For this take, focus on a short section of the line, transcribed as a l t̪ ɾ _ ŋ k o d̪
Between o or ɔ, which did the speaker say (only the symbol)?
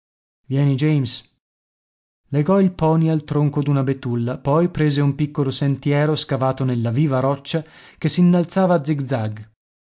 o